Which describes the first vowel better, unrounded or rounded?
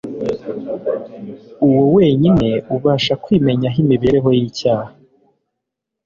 rounded